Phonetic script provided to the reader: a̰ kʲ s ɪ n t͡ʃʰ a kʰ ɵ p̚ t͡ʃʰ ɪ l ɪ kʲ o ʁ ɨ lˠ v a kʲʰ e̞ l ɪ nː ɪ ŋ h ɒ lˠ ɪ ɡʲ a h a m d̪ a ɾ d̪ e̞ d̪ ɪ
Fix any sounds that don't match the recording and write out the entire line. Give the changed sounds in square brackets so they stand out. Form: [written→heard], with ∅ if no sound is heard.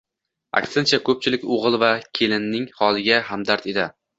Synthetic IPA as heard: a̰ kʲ s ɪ n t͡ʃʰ a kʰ ɵ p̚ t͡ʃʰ ɪ l ɪ kʲ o ʁ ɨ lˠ v a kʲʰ e̞ l ɪ nː ɪ ŋ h ɒ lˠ ɪ ɡʲ a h a m d̪ a ɾ [d̪→t̪] e̞ d̪ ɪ